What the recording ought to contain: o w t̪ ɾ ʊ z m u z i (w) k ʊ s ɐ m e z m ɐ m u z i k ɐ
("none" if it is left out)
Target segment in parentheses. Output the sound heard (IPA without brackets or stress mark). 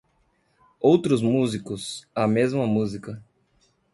none